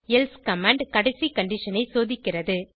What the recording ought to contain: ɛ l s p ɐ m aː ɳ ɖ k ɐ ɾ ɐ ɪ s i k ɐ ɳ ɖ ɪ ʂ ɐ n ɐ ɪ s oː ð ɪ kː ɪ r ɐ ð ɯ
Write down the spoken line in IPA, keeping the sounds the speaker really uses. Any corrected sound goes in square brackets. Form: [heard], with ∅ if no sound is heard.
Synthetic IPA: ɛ l s [k] ɐ m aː ɳ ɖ k ɐ [ɽ] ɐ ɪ s i k ɐ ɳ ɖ ɪ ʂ ɐ n ɐ ɪ s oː ð ɪ kː ɪ r ɐ ð ɯ

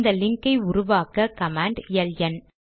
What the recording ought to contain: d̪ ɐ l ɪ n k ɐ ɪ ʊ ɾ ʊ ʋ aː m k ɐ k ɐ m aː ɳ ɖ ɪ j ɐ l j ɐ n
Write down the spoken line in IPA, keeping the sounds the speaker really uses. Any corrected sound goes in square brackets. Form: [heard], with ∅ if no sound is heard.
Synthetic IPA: d̪ ɐ l ɪ [ŋ] k ɐ ɪ ʊ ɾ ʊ ʋ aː [∅] k ɐ k ɐ m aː ɳ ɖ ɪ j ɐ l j ɐ n

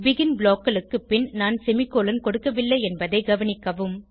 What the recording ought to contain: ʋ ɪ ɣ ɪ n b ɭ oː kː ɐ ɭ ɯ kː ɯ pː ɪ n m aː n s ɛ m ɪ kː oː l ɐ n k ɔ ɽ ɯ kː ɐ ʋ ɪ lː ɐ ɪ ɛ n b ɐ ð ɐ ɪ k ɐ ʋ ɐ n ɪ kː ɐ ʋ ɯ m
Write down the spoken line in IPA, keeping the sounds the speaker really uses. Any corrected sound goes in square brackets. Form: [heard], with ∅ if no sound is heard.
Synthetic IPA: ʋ ɪ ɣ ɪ n b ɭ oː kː ɐ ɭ ɯ kː ɯ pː ɪ n [n] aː n s ɛ m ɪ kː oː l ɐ n k ɔ ɽ ɯ kː ɐ ʋ ɪ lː ɐ ɪ ɛ n b ɐ ð ɐ ɪ [ɡ] ɐ ʋ ɐ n ɪ kː ɐ ʋ ɯ m

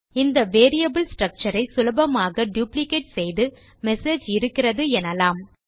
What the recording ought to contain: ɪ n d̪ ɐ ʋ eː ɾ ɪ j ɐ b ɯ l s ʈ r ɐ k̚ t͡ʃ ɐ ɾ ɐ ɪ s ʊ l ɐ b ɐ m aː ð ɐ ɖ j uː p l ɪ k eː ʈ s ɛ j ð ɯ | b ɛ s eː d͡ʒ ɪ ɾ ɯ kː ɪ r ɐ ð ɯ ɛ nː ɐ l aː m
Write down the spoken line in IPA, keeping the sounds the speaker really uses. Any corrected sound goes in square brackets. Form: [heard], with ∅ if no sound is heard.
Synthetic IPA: ɪ n d̪ ɐ ʋ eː ɾ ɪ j ɐ b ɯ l s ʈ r ɐ k̚ t͡ʃ ɐ ɾ ɐ ɪ s ʊ l ɐ b ɐ m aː [ɣ] ɐ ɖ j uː p l ɪ k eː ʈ s ɛ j ð ɯ | [m] ɛ s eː d͡ʒ ɪ ɾ ɯ kː ɪ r ɐ ð ɯ ɛ [n] ɐ l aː m

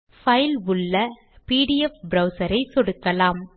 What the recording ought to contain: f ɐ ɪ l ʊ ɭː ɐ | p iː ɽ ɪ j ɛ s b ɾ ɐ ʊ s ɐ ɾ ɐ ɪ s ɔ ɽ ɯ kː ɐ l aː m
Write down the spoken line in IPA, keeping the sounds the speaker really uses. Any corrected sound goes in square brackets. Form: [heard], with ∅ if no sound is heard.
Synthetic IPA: f ɐ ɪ l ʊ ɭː ɐ | p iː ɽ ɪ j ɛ [f] b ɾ ɐ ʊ s ɐ ɾ ɐ ɪ s ɔ ɽ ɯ kː ɐ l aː m

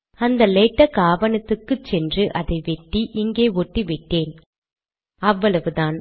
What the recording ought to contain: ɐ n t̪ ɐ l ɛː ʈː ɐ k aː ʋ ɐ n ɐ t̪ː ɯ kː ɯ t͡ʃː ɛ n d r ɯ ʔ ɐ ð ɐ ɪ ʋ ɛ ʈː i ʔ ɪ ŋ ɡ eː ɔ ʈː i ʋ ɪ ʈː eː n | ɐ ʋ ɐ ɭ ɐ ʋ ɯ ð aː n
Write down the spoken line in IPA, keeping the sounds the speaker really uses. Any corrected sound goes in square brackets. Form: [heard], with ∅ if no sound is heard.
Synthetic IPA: ɐ n [d̪] ɐ l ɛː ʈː ɐ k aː ʋ ɐ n ɐ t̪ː ɯ kː ɯ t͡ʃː ɛ n d r ɯ ʔ ɐ ð ɐ ɪ ʋ ɛ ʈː i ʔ ɪ ŋ ɡ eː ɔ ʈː i ʋ ɪ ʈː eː n | ɐ [ʋː] ɐ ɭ ɐ ʋ ɯ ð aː n

